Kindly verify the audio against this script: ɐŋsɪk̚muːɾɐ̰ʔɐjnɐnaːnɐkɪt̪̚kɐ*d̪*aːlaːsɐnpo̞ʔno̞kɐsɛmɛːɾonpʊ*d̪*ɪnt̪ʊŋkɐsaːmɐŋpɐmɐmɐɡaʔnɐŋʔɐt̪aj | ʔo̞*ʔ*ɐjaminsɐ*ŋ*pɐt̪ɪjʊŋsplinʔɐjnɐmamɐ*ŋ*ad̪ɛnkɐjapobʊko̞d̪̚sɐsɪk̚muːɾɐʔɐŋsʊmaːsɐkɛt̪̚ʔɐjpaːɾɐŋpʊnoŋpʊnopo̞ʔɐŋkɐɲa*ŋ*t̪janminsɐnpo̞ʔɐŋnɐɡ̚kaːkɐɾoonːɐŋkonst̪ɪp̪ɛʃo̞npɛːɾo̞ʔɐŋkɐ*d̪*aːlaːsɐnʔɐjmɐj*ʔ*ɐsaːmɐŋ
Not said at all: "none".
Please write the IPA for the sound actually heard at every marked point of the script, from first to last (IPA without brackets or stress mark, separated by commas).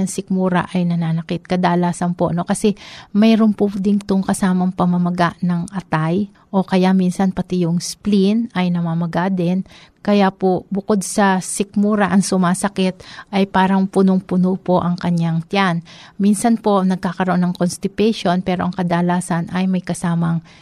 d̪, d̪, k, n, ɡ, ŋ, d̪, k